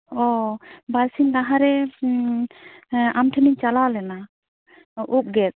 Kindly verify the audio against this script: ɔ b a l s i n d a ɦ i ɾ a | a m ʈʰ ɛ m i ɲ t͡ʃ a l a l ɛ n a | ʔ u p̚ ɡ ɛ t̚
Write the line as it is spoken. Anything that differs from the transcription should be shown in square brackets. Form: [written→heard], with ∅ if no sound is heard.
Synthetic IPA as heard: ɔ b a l s i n d a ɦ [i→a] ɾ [a→ɛ] | a m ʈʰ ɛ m i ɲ t͡ʃ a l a l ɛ n a | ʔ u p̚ ɡ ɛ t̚